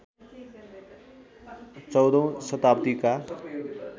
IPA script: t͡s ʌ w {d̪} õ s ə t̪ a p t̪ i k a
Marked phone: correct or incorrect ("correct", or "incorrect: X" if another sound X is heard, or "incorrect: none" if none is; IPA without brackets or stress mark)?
correct